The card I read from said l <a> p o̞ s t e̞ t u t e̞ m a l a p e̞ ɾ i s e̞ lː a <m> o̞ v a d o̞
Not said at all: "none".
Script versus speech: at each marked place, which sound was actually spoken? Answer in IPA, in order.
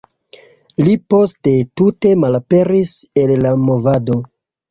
i, m

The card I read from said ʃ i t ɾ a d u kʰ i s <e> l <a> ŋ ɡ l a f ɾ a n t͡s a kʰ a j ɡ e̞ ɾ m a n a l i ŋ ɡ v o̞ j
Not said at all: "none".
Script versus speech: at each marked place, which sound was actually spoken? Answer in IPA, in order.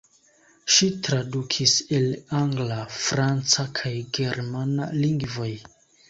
e, a

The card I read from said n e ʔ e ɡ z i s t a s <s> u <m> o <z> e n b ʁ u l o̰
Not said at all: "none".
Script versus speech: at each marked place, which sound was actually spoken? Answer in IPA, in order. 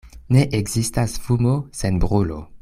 f, m, s

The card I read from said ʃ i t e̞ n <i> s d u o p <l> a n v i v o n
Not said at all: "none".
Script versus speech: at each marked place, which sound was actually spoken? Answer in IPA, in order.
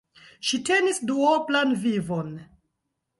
i, l

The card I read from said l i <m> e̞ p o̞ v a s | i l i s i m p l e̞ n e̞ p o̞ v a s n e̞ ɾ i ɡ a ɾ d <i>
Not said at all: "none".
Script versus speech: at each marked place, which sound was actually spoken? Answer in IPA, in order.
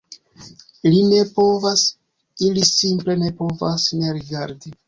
n, i

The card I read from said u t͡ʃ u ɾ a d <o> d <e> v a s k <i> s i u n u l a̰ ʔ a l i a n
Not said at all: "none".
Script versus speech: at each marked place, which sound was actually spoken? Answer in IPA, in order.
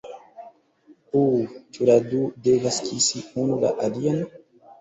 u, e, i

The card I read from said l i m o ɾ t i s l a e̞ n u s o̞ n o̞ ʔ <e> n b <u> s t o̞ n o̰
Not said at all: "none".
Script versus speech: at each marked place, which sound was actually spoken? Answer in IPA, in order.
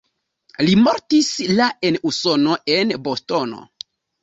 e, o

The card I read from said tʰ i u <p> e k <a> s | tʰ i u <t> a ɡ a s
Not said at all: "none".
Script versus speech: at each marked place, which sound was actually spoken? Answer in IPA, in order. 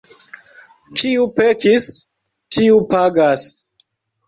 p, i, p

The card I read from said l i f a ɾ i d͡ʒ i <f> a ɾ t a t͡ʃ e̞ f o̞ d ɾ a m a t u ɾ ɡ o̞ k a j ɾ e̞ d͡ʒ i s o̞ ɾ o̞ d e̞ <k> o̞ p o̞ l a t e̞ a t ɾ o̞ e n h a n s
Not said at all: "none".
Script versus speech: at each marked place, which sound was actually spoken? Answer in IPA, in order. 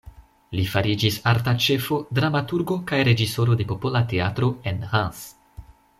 s, p

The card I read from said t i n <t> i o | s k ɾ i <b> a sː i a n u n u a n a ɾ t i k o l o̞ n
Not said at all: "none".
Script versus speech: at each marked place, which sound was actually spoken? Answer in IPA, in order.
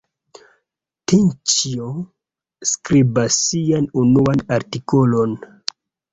t͡ʃ, b

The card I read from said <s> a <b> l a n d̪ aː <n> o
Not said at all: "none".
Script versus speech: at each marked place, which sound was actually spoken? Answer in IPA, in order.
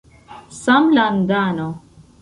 s, m, n

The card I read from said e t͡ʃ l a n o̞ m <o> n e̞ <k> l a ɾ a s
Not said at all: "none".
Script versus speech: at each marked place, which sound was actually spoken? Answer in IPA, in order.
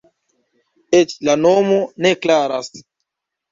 o, k

